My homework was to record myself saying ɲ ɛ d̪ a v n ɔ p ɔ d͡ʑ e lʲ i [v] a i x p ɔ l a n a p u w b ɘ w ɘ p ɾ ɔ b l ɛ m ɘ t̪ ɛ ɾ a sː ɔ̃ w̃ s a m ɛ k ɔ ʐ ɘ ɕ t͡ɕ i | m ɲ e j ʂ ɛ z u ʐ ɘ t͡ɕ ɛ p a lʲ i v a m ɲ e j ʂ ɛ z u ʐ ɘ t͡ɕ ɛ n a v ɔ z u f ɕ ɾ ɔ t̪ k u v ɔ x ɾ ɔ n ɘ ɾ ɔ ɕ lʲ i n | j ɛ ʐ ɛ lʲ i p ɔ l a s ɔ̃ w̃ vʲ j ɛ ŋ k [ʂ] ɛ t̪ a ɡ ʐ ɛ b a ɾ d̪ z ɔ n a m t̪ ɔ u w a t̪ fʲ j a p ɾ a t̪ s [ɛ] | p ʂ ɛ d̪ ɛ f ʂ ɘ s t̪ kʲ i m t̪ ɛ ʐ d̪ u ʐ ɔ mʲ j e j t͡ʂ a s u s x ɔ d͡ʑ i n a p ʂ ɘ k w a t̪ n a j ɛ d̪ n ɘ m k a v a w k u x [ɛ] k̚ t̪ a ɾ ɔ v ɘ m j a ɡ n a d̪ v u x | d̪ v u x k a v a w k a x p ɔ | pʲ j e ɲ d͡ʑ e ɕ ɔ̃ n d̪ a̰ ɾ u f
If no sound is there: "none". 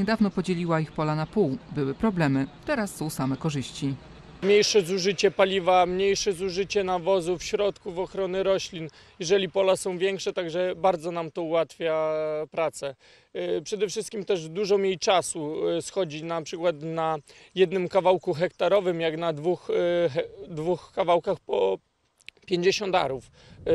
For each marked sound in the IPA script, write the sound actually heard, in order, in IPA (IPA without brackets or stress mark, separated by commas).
w, ʂ, ɛ, ɛ